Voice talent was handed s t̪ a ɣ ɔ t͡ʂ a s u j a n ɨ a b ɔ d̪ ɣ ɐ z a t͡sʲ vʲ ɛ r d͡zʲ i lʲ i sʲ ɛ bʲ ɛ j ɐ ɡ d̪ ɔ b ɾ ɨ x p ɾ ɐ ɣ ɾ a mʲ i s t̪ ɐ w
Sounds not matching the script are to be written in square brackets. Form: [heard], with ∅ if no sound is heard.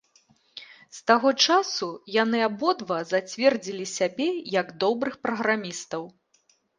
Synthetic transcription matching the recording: s t̪ a ɣ ɔ t͡ʂ a s u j a n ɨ a b ɔ d̪ [v] ɐ z a t͡sʲ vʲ ɛ r d͡zʲ i lʲ i sʲ [a] bʲ ɛ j ɐ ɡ d̪ ɔ b ɾ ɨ x p ɾ ɐ ɣ ɾ a mʲ i s t̪ ɐ w